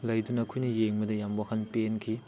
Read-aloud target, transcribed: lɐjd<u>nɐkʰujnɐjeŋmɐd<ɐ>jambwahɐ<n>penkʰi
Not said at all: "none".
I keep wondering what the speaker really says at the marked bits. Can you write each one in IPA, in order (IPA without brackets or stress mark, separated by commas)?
u, ɐ, n